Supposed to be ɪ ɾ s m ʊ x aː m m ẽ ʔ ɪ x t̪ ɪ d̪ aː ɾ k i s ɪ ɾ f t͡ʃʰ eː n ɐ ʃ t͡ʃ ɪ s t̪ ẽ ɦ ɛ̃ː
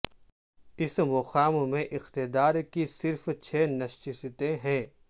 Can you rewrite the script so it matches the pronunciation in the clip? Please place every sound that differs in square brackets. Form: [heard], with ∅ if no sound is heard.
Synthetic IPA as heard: ɪ [∅] s m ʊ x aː m m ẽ ʔ ɪ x t̪ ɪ d̪ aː ɾ k i s ɪ ɾ f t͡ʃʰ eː n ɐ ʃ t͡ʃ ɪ s t̪ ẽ ɦ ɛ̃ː